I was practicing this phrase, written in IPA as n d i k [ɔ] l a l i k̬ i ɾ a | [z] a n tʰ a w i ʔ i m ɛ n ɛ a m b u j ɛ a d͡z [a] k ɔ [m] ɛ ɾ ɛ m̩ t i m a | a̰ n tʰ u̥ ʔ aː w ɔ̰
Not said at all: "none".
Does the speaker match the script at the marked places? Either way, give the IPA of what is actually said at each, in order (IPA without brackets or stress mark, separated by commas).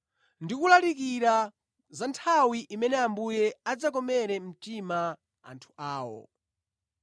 u, z, a, m